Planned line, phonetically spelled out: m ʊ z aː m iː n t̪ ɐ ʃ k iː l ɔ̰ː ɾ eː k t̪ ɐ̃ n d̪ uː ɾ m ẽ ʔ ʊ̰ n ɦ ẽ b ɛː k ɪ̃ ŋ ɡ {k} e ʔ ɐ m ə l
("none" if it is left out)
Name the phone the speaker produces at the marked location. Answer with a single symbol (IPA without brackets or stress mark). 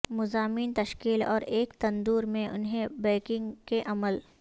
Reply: k